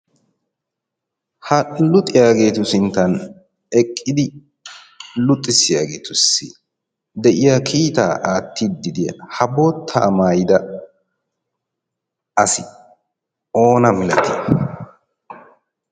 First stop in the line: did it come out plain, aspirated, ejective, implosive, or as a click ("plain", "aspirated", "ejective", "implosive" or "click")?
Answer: ejective